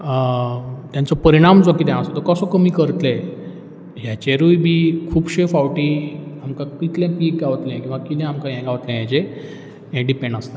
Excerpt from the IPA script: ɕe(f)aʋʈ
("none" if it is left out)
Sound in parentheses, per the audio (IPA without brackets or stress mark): f